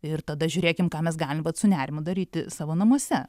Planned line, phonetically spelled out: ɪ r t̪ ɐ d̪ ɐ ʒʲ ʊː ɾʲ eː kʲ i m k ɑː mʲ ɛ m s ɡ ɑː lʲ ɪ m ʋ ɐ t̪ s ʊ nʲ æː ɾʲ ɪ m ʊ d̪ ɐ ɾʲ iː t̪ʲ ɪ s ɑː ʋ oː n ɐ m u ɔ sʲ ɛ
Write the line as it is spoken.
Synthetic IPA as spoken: ɪ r t̪ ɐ d̪ ɐ ʒʲ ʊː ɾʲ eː kʲ ɪ m k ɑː mʲ ɛ s ɡ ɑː lʲ ɪ m ʋ ɐ t̪ s ʊ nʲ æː ɾʲ ɪ m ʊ d̪ ɐ ɾʲ iː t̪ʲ ɪ s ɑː ʋ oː n ɐ m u ɔ sʲ ɛ